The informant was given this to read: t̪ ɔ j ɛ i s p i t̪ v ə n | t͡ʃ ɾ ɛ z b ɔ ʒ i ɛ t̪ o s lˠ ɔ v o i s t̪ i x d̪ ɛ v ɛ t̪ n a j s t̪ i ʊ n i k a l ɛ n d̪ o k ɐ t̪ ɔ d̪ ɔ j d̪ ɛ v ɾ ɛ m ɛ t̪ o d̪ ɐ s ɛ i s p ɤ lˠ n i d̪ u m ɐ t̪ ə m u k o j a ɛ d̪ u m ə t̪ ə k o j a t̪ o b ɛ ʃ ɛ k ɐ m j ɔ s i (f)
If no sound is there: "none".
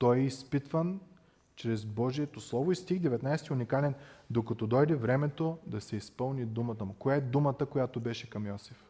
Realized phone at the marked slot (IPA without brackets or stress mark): f